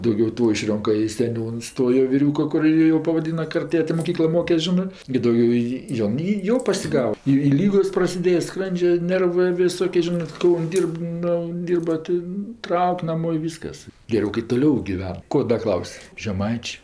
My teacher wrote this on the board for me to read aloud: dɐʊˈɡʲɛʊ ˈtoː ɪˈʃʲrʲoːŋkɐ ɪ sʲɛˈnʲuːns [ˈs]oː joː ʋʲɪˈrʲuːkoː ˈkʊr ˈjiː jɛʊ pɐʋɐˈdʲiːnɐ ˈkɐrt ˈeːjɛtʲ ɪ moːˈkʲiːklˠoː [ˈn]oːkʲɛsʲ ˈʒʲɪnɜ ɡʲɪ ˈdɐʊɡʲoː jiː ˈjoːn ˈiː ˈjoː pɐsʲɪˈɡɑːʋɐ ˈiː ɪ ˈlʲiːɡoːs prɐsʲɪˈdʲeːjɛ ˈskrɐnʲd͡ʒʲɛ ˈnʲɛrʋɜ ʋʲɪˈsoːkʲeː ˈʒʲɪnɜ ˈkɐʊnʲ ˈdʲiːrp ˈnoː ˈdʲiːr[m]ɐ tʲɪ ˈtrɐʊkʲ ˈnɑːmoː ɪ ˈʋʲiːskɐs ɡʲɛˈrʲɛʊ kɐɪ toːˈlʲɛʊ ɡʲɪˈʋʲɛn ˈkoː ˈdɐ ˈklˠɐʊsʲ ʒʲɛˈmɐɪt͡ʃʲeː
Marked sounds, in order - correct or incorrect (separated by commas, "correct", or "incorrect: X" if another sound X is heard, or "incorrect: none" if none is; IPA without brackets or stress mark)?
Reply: incorrect: t, incorrect: m, incorrect: b